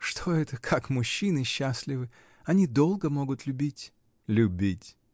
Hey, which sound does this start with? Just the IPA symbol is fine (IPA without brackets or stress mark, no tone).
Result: ʂ